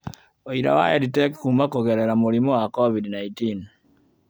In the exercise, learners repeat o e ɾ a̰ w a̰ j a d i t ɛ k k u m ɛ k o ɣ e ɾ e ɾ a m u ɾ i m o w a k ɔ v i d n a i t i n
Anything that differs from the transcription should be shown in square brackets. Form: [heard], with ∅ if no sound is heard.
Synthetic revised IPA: o [i] ɾ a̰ w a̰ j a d i t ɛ k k u m [a] k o ɣ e ɾ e ɾ a m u ɾ i m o w a k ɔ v i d n a i t i n